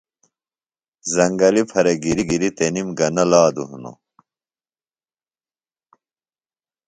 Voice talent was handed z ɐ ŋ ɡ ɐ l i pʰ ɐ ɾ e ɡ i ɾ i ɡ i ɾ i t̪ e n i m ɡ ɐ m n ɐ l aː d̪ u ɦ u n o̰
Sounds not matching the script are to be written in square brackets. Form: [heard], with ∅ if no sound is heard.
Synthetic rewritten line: z ɐ ŋ ɡ ɐ l i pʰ ɐ ɾ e ɡ i ɾ i ɡ i ɾ i t̪ e n i m ɡ ɐ [∅] n ɐ l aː d̪ u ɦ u n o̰